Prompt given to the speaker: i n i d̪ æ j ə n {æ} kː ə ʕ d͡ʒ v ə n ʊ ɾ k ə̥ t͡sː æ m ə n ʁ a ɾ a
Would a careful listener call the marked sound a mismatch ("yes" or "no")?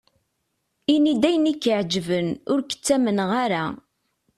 yes